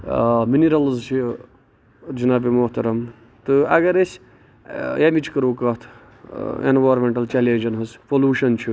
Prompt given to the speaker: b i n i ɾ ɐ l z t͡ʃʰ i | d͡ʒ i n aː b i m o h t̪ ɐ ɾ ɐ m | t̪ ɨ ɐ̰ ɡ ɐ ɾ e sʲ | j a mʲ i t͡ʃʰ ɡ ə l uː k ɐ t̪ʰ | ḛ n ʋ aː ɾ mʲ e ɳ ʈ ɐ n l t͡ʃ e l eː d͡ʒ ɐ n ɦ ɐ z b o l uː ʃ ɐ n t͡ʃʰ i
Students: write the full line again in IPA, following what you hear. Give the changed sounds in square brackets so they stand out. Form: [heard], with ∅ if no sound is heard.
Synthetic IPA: [m] i n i ɾ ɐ l z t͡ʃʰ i | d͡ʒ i n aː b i m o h t̪ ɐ ɾ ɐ m | t̪ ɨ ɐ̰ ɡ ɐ ɾ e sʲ | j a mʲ i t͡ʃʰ [k] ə [ɾ] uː k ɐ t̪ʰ | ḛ n ʋ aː ɾ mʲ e ɳ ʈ ɐ [∅] l t͡ʃ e l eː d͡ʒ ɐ n ɦ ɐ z [p] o l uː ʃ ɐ n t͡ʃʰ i